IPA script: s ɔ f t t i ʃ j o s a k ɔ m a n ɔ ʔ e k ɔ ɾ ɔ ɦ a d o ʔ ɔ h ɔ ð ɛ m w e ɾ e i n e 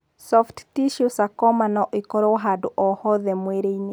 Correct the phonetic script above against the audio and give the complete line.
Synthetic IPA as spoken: s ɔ f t t i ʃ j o s a k ɔ m a n ɔ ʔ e k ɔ ɾ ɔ ɦ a d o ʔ ɔ h ɔ ð ɛ m w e ɾ e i n e